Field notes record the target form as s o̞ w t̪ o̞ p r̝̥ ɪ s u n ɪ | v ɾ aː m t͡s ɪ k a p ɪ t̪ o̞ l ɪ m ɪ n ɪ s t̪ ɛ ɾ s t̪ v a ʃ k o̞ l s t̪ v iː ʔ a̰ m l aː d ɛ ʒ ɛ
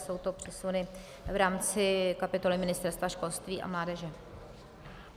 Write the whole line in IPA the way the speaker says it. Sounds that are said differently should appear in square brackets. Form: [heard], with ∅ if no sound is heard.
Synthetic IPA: s o̞ w t̪ o̞ p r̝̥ ɪ s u n ɪ | v ɾ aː m t͡s ɪ k a p ɪ t̪ o̞ l ɪ m ɪ n ɪ s t̪ ɛ ɾ s t̪ v a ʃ k o̞ l s t̪ v iː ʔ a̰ m l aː d ɛ ʒ ɛ